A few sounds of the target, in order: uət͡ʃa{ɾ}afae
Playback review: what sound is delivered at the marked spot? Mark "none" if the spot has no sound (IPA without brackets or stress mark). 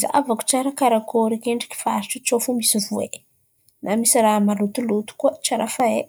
ɾ